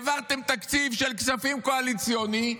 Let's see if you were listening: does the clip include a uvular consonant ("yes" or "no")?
yes